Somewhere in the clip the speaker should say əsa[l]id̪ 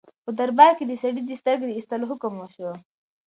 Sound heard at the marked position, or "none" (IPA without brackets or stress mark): ɽ